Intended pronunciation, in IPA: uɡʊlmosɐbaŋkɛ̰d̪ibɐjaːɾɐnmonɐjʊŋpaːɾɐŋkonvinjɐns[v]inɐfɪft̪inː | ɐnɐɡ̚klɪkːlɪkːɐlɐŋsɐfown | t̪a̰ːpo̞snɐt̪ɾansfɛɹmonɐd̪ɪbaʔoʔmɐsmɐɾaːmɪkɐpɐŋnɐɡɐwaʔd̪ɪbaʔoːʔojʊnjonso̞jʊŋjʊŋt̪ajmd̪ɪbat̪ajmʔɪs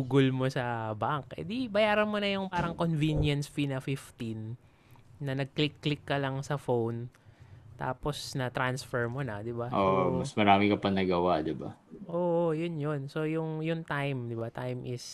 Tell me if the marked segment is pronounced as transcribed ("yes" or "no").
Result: no